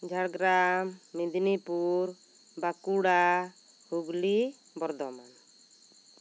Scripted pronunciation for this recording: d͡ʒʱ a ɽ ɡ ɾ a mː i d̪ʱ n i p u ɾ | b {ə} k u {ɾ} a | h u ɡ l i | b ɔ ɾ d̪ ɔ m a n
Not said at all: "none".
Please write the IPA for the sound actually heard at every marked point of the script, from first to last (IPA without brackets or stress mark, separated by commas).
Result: a, ɽ